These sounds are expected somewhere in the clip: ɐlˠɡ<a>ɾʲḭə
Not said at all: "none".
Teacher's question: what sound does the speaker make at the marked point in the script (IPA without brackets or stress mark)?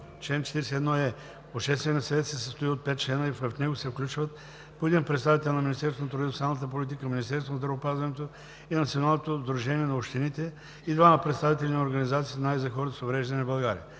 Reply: a